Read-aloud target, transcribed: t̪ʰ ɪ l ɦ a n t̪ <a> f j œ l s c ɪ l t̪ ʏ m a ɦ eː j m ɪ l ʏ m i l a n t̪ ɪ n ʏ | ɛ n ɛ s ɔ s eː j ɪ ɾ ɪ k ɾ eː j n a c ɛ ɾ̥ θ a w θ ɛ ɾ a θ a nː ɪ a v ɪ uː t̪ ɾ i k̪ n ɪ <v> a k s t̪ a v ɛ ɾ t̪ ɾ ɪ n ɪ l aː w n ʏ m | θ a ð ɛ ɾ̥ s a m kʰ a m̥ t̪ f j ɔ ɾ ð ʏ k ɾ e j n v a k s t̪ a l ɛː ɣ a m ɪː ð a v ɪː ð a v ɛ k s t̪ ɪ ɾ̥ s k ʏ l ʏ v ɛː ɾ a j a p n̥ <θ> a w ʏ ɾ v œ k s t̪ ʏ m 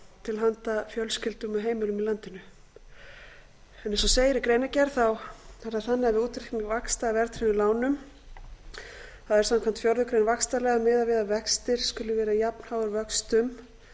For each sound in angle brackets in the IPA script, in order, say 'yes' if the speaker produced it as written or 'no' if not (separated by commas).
yes, yes, no